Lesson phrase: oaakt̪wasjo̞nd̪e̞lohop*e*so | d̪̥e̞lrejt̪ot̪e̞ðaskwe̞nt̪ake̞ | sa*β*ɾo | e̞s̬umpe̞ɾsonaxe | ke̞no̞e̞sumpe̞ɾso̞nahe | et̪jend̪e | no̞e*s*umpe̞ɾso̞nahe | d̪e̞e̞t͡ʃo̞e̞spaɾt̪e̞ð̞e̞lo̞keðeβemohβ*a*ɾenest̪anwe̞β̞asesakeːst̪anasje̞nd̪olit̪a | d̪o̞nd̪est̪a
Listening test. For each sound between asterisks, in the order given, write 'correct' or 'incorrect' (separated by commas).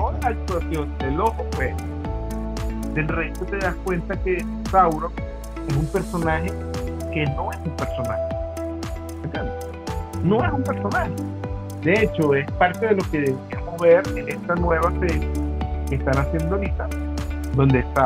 correct, incorrect, correct, incorrect